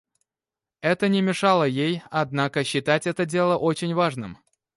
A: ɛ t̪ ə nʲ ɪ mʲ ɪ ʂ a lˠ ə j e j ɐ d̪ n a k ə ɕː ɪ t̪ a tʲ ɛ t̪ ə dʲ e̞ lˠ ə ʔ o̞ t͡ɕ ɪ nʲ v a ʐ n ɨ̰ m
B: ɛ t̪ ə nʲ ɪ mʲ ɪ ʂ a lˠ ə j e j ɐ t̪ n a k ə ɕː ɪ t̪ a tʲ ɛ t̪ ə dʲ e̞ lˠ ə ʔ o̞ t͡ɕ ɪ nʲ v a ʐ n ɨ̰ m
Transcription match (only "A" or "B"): A